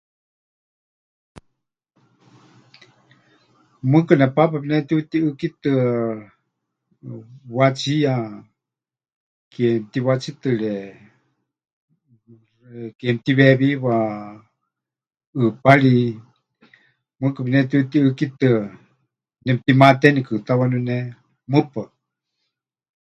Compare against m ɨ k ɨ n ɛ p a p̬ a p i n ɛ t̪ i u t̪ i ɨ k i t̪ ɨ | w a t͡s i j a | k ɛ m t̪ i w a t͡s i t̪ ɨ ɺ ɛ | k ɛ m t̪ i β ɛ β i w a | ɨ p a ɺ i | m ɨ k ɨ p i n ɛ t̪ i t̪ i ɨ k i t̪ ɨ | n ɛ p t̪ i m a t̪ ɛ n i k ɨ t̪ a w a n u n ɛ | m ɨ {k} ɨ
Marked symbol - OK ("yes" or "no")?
no